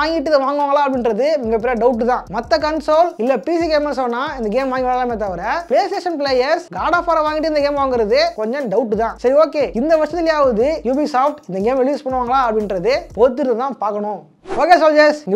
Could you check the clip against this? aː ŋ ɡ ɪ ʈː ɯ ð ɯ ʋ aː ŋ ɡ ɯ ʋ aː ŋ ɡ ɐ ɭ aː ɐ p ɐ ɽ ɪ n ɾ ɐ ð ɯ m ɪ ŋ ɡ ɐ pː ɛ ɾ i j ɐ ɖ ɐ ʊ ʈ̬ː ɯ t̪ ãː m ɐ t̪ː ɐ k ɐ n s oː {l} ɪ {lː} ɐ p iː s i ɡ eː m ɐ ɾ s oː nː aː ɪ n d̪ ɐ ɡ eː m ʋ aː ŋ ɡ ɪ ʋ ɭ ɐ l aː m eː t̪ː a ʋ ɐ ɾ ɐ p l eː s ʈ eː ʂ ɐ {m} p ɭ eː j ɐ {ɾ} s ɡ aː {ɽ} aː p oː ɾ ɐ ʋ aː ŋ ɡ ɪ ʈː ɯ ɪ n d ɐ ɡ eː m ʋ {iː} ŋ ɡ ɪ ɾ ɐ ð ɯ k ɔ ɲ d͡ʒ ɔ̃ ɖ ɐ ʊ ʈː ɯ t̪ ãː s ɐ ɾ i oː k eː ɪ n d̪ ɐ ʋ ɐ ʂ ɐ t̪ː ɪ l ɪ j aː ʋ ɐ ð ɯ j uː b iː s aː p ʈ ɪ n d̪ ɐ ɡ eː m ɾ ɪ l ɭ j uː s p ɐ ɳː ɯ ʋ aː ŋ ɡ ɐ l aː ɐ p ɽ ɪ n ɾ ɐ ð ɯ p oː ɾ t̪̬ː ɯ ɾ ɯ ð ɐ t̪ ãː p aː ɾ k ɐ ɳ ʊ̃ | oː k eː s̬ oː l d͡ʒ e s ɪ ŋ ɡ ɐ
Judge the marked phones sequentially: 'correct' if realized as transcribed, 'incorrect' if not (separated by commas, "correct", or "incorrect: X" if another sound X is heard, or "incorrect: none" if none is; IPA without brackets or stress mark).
correct, correct, incorrect: n, correct, correct, incorrect: aː